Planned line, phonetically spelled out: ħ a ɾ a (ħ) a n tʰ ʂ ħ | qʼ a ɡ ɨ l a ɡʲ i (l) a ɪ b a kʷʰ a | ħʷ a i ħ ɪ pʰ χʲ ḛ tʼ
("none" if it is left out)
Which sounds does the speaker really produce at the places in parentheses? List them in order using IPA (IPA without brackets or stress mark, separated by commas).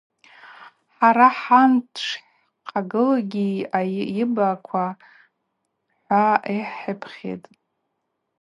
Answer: ħ, none